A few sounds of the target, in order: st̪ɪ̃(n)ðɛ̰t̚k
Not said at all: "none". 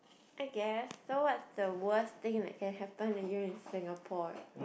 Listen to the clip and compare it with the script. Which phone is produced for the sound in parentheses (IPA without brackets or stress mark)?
ŋ